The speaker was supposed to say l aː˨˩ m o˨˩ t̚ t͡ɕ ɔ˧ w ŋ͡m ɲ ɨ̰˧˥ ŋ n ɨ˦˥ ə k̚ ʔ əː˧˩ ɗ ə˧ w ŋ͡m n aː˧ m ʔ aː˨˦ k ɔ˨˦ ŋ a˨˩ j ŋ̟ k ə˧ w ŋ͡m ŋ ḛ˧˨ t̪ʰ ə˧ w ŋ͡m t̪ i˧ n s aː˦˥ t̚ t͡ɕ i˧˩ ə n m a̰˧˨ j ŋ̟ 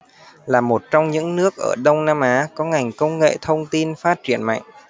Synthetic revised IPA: l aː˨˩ m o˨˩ t̚ t͡ɕ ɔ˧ w ŋ͡m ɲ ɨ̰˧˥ ŋ n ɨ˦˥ ə k̚ ʔ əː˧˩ ɗ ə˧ w ŋ͡m n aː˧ m ʔ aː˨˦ k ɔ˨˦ ŋ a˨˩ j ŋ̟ k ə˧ w ŋ͡m ŋ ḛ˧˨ t̪ʰ ə˧ w ŋ͡m t̪ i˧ n f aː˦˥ t̚ t͡ɕ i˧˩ ə n m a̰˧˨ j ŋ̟